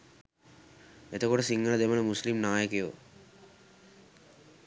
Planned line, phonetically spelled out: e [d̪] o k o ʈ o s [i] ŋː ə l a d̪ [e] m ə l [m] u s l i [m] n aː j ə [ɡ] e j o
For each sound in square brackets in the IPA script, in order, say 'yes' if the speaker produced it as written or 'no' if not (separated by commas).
no, yes, yes, yes, yes, no